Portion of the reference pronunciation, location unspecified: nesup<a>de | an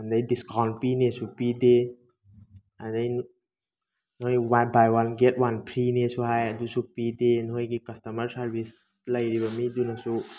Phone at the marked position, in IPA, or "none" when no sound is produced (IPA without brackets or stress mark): i